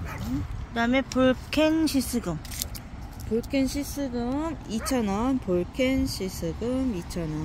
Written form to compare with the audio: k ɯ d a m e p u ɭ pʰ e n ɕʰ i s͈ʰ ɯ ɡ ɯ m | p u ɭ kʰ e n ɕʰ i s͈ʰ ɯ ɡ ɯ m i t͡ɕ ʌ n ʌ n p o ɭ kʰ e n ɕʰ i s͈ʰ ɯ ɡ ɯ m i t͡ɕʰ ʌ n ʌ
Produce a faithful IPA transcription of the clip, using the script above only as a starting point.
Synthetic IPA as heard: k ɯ d a m e p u ɭ kʰ e n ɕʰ i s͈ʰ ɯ ɡ ɯ m | p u ɭ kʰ e n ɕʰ i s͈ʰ ɯ ɡ ɯ m i t͡ɕʰ ʌ n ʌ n p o ɭ kʰ e n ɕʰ i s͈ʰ ɯ ɡ ɯ m i t͡ɕʰ ʌ n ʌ

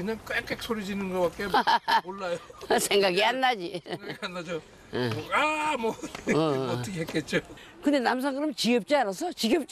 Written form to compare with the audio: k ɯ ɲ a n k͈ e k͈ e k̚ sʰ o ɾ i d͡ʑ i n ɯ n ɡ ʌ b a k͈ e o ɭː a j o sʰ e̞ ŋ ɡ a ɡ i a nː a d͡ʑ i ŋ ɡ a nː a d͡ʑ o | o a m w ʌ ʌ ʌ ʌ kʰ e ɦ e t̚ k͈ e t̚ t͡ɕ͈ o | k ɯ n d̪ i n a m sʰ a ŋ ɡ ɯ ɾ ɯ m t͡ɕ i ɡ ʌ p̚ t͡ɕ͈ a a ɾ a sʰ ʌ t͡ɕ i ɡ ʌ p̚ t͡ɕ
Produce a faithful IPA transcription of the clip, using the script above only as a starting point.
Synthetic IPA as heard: k ɯ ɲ a ŋ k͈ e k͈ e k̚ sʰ o ɾ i d͡ʑ i n ɯ n ɡ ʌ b a k͈ e o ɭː a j o sʰ e̞ ŋ ɡ a ɡ i a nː a d͡ʑ i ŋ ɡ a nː a d͡ʑ o | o a m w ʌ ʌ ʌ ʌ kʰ e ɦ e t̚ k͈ e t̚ t͡ɕ͈ o | k ɯ n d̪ e n a m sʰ a ŋ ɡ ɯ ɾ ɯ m t͡ɕ i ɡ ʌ p̚ t͡ɕ͈ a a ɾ a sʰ ʌ t͡ɕ i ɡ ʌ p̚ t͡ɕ

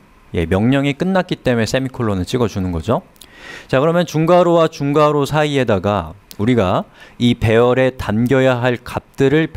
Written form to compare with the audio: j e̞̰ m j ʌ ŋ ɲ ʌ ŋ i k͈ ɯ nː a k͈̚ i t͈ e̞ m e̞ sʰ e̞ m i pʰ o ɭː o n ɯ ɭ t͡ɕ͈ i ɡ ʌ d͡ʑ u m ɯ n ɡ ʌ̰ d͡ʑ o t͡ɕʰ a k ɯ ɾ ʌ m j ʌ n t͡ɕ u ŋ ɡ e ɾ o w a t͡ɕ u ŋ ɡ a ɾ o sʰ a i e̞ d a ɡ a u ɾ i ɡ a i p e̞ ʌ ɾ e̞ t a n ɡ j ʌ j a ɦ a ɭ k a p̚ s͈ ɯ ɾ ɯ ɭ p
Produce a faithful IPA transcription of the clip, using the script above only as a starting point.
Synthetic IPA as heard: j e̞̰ m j ʌ ŋ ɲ ʌ ŋ i k͈ ɯ nː a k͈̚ i t͈ e̞ m e̞ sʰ e̞ m i kʰ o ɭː o n ɯ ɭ t͡ɕ͈ i ɡ ʌ d͡ʑ u n ɯ n ɡ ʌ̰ d͡ʑ o t͡ɕ a k ɯ ɾ ʌ m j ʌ n t͡ɕ u ŋ ɡ a ɾ o w a t͡ɕ u ŋ ɡ a ɾ o sʰ a i e̞ d a ɡ a u ɾ i ɡ a i p e̞ ʌ ɾ e̞ t a n ɡ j ʌ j a ɦ a ɭ k a p̚ t͈ ɯ ɾ ɯ ɭ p

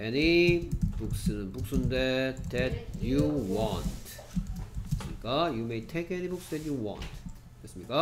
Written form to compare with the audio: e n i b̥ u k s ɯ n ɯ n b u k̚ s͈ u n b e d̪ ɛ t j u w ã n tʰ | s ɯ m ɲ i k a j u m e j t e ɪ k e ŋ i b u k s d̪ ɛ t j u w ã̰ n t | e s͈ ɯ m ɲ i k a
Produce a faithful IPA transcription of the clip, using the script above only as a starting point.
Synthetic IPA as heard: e n i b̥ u k s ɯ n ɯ n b u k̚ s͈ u n d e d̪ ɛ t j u w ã n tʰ | s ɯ m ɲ i k a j u m e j tʰ e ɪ k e n i b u k s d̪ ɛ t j u w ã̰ n t | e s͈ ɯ m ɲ i k a

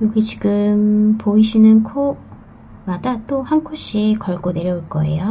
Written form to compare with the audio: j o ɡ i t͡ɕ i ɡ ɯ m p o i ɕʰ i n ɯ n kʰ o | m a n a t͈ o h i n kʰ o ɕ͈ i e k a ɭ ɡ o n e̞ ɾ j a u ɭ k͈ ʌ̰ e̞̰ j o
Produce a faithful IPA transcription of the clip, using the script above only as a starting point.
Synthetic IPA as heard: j o ɡ i t͡ɕ i ɡ ɯ m p o i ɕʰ i n ɯ n kʰ o | m a d a t͈ o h a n kʰ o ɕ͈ i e k ʌ ɭ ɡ o n e̞ ɾ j ʌ u ɭ k͈ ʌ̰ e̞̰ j o

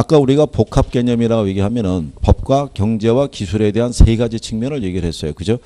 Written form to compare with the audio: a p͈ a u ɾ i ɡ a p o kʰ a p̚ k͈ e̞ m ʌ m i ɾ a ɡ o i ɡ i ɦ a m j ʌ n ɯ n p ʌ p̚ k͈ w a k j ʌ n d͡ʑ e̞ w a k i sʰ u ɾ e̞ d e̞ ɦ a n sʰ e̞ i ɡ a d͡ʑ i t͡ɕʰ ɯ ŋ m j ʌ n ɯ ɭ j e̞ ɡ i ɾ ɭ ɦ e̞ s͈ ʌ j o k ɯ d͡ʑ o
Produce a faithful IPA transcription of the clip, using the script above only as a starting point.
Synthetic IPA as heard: a k͈ a u ɾ i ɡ a p o kʰ a p̚ k͈ e̞ ɲ ʌ m i ɾ a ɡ o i ɡ i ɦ a m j ʌ n ɯ n p ʌ p̚ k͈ w a k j ʌ ŋ d͡ʑ e̞ w a k i sʰ u ɾ e̞ d e̞ ɦ a n sʰ e̞ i ɡ a d͡ʑ i t͡ɕʰ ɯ ŋ m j ʌ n ɯ ɭ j e̞ ɡ i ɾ ɭ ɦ e̞ s͈ ʌ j o k ɯ d͡ʑ o

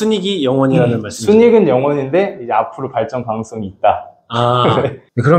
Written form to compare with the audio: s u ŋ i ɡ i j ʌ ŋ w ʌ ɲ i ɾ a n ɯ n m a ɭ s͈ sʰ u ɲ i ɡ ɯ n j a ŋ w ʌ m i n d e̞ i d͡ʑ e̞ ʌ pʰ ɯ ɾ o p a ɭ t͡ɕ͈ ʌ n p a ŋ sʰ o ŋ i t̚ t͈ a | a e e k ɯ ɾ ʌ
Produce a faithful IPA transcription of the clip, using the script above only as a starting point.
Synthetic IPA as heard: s u ɲ i ɡ i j ʌ ŋ w ʌ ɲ i ɾ a n ɯ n m a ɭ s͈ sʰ u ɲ i ɡ ɯ n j ʌ ŋ w ʌ ɲ i n d e̞ i d͡ʑ e̞ a pʰ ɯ ɾ o p a ɭ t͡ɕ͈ ʌ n p a ŋ sʰ o ŋ iː t̚ t͈ a | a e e k ɯ ɾ ʌ

